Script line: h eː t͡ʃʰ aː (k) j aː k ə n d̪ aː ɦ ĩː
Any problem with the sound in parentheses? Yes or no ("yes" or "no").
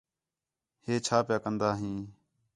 yes